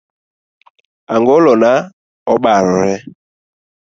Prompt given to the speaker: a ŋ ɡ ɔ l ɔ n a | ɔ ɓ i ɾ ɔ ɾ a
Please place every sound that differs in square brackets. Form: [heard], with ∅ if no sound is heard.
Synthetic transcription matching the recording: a ŋ ɡ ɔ l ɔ n a | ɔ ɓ [a] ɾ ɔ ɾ [ɛ]